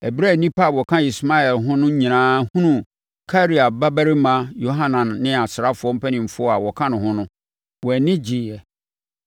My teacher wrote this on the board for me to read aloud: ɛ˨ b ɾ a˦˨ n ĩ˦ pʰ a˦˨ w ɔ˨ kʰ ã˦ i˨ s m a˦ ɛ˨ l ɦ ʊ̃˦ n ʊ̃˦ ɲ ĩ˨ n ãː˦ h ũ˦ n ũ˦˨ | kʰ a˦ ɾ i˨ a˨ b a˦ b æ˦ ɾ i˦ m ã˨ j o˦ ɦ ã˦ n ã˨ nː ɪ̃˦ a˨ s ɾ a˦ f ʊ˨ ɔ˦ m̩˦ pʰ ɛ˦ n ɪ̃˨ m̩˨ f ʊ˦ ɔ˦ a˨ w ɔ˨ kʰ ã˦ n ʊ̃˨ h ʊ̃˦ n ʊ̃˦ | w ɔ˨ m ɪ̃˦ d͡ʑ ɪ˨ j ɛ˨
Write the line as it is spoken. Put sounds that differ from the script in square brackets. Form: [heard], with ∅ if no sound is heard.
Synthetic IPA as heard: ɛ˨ b ɾ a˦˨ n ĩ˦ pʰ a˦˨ w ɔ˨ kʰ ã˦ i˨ s m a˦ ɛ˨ l ɦ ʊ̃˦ n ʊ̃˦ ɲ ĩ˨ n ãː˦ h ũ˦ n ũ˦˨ | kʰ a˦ ɾ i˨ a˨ b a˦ b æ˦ ɾ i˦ m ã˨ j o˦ ɦ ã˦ n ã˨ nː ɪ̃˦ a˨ s ɾ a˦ f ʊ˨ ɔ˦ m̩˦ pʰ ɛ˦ n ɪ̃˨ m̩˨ f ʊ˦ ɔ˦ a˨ w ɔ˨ kʰ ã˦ n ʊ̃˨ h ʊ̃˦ n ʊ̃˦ | w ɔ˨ [n] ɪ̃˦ d͡ʑ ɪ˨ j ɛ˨